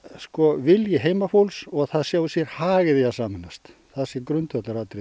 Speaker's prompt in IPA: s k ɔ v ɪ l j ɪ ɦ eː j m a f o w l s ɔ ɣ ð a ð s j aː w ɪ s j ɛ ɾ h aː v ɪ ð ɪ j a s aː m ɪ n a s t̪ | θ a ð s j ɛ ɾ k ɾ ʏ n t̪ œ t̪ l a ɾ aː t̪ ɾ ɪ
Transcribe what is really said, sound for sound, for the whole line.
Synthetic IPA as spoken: s k ɔ v ɪ l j ɪ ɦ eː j m a f o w l s ɔ ɣ θ a ð s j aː w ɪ s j ɛ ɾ h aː ɣ ɪ ð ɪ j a s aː m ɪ n a s t̪ | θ a ð s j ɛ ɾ k ɾ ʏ n t̪ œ t̪ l a ɾ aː t̪ ɾ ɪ

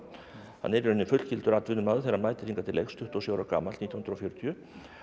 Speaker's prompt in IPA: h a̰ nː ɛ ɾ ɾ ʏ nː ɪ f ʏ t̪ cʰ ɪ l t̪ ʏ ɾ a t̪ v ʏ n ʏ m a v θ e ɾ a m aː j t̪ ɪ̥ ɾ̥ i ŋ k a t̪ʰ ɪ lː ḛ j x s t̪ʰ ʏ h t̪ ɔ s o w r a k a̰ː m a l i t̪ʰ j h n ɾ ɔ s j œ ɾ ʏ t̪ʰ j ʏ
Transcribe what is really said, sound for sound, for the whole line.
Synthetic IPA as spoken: h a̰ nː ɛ ɾ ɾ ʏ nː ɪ f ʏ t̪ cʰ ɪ l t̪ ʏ ɾ a t̪ v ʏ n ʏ m a ð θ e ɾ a m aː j t̪ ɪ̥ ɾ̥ i ŋ k a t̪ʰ ɪ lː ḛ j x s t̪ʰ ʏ h t̪ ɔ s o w ɾ a k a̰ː m a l i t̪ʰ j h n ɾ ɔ f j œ ɾ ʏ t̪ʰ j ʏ

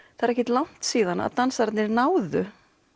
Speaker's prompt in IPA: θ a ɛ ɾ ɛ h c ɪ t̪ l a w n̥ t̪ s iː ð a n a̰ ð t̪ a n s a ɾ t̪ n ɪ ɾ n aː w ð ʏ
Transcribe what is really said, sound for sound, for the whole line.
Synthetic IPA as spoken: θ a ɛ ɾ ɛ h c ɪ t̪ l a w n̥ t̪ s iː ð a n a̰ ð t̪ a n s a ɾ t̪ n ɪ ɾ n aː w ð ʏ

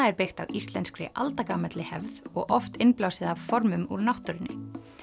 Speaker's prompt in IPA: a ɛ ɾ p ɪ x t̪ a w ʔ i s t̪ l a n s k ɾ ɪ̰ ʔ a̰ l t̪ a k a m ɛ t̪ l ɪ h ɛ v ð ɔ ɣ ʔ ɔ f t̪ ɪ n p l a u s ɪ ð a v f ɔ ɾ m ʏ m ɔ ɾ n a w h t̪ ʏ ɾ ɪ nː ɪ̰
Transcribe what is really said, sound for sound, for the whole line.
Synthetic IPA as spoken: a ɛ ɾ p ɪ x t̪ a w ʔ i s t̪ l ɛ n s k ɾ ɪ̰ ʔ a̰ l t̪ a k a m ɛ t̪ l ɪ h ɛ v ð ɔ ɣ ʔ ɔ f t̪ ɪ n p l a w s ɪ ð a v f ɔ ɾ m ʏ m u ɾ n a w h t̪ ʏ ɾ ɪ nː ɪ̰

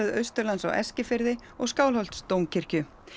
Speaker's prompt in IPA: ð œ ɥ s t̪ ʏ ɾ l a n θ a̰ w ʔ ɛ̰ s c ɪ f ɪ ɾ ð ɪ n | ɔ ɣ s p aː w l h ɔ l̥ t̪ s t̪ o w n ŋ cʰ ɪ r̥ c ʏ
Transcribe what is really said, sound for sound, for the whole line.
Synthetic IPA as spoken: ð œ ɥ s t̪ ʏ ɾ l a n s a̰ w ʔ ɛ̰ s c ɪ f ɪ ɾ ð ɪ | ɔ ɣ s k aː w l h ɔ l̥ t̪ s t̪ o w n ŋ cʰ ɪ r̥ c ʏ

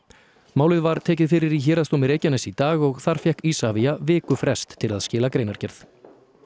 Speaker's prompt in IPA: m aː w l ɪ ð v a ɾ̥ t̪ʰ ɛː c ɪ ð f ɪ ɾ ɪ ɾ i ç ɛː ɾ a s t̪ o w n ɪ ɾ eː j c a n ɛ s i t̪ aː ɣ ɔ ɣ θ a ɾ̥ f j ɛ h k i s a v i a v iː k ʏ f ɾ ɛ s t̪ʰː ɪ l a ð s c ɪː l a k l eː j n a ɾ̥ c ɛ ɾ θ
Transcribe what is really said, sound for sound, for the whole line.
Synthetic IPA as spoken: m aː w l ɪ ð v a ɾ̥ t̪ʰ ɛː c ɪ ð f ɪ ɾ ɪ ɾ i ç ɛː ɾ a s t̪ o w m ɪ ɾ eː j c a n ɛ s i t̪ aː ɣ ɔ ɣ θ a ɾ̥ f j ɛ h k i s a v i a v ɪː k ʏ f ɾ ɛ s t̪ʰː ɪ l a ð s c ɪː l a k ɾ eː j n a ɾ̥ c ɛ ɾ θ

